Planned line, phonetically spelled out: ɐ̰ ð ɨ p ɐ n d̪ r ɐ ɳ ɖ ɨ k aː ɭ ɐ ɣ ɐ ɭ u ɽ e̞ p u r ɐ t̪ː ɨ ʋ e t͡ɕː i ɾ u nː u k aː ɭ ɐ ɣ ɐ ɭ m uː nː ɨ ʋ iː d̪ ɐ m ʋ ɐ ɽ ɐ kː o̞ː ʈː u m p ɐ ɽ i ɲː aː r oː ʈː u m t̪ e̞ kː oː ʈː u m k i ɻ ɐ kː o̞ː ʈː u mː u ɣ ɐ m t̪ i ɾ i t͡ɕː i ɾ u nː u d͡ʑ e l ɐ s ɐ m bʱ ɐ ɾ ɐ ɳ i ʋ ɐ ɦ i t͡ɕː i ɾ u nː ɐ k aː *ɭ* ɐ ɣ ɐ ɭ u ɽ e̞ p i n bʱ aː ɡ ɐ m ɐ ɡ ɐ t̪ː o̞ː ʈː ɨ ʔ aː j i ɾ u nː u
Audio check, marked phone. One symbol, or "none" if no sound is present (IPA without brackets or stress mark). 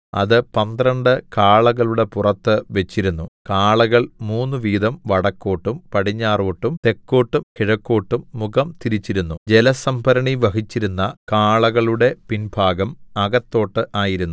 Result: ɭ